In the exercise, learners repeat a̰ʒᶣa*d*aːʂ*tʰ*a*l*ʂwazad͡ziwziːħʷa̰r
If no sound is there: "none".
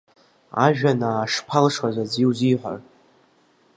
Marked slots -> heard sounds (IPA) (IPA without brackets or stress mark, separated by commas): n, pʰ, l